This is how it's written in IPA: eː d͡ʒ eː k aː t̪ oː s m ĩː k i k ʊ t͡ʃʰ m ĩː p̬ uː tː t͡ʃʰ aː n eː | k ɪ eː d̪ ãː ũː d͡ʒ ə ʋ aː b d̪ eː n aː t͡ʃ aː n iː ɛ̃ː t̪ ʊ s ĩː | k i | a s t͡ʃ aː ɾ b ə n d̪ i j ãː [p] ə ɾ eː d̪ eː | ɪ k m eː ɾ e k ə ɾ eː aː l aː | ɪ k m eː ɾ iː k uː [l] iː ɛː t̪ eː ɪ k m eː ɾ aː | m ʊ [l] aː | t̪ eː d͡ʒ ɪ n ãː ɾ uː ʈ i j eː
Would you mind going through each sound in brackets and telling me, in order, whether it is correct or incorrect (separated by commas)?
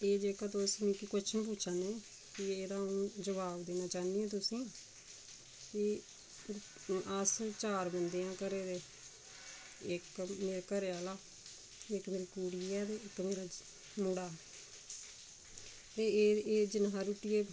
incorrect, incorrect, incorrect